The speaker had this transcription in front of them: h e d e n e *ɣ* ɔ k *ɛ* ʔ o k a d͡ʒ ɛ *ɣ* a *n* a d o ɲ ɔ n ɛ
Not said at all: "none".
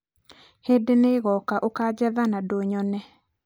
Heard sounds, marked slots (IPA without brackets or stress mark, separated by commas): ɣ, a, ð, n